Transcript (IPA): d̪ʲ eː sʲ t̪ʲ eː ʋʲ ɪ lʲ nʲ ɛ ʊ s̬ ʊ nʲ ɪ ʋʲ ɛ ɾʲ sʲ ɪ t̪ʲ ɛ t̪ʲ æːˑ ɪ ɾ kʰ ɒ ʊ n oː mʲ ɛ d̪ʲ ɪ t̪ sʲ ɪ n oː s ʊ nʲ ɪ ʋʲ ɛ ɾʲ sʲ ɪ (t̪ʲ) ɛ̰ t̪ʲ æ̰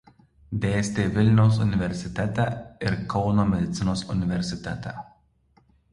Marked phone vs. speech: correct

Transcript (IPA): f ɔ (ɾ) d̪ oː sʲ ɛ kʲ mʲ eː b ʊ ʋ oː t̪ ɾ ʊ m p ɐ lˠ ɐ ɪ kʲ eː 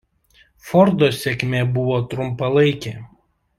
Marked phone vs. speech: correct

